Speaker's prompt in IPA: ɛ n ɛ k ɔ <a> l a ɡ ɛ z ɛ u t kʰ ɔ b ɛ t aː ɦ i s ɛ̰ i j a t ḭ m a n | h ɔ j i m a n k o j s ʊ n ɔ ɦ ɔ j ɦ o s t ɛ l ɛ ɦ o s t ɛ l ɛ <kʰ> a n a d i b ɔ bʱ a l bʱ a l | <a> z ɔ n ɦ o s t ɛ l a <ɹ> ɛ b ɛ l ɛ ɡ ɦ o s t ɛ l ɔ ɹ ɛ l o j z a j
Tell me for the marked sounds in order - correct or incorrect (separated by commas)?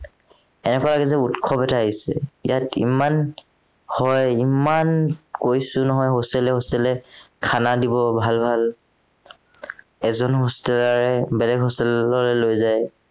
correct, correct, incorrect, correct